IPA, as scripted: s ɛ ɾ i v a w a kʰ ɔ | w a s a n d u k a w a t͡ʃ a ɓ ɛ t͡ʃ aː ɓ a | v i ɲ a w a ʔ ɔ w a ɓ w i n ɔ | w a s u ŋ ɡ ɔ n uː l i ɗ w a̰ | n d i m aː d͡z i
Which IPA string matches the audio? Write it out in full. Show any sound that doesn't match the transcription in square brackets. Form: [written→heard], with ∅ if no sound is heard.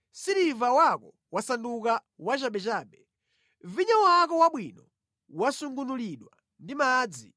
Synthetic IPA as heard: s [ɛ→i] ɾ i v a w a [kʰ→k] ɔ | w a s a n d u k a w a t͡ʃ a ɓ ɛ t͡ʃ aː ɓ [a→ɛ] | v i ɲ a w a [ʔ→k] ɔ w a ɓ w i n ɔ | w a s u ŋ ɡ [ɔ→u] n [uː→u] l i ɗ w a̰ | n d i m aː d͡z i